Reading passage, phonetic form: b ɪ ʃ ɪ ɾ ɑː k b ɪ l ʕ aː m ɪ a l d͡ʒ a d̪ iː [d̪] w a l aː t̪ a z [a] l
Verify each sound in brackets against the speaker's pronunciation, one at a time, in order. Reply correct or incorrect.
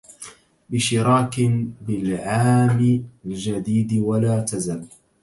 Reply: correct, correct

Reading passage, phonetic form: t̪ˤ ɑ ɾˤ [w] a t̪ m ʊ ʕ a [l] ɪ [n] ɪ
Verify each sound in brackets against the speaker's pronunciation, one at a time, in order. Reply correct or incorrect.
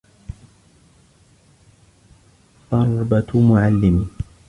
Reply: incorrect, incorrect, incorrect

